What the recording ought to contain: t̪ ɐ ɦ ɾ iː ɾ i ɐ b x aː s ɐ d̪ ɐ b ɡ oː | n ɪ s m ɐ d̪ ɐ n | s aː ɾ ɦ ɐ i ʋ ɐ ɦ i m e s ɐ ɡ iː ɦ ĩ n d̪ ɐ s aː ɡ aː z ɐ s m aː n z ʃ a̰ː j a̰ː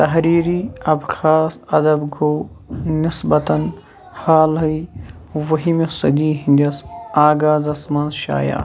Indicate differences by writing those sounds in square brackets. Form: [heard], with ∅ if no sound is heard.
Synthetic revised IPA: t̪ ɐ ɦ ɾ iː ɾ i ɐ b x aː s ɐ d̪ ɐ b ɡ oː | n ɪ s [b] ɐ [t̪] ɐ n | [h] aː [l] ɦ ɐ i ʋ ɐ ɦ i m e s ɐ ɡ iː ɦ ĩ n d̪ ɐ s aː ɡ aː z ɐ s m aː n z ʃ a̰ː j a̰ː